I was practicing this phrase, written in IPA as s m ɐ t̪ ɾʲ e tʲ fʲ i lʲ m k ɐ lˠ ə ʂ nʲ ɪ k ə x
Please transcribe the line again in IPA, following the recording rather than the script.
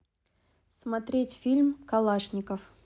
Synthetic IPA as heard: s m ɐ t̪ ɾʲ e tʲ fʲ i lʲ m k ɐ lˠ a ʂ nʲ ɪ k ə f